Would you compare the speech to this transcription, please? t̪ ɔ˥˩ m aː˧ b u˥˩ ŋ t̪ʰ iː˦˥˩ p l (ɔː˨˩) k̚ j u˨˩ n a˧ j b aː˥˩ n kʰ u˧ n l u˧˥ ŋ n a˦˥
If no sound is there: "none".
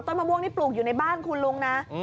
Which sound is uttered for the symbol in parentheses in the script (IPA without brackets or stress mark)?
uː˨˩